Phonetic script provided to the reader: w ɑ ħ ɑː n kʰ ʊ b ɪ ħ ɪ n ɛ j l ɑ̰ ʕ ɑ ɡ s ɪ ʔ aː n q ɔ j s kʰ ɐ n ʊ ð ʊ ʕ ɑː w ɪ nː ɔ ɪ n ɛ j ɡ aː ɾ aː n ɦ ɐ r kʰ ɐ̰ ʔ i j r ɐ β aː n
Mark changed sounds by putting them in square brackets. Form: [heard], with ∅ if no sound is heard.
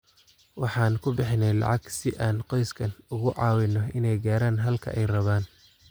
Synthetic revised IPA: w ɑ ħ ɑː n kʰ ʊ b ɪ ħ ɪ n ɛ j l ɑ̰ ʕ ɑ ɡ s ɪ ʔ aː n q ɔ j s kʰ ɐ n ʊ [ɣ] ʊ ʕ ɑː w ɪ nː ɔ ɪ n ɛ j ɡ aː ɾ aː n ɦ ɐ [l] kʰ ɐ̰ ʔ [ɛ] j r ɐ β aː n